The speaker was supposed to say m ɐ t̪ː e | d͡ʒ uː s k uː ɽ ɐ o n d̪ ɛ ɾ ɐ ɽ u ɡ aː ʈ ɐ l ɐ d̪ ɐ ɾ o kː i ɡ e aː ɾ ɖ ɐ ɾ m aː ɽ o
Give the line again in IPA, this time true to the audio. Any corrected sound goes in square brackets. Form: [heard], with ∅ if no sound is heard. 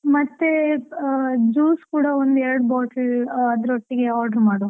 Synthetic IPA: m ɐ t̪ː e | d͡ʒ uː s k uː ɽ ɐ o n d̪ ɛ ɾ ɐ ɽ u [b] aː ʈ ɐ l ɐ d̪ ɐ ɾ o [ʈː] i ɡ e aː ɾ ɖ ɐ ɾ m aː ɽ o